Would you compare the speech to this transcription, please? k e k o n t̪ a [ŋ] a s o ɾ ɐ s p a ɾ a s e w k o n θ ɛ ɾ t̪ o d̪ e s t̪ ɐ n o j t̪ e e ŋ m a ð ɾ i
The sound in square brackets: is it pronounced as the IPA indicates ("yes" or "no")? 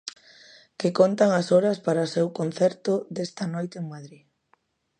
yes